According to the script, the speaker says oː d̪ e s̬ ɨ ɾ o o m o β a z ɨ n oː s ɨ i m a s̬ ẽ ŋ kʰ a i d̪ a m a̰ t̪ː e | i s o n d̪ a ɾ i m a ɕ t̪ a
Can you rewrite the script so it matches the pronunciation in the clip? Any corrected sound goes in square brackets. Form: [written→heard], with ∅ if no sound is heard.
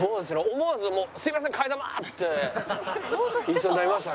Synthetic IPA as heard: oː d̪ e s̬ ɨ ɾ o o m o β a z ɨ [n→m] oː s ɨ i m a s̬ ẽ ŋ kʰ a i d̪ a m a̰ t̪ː e | i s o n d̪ a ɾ i m a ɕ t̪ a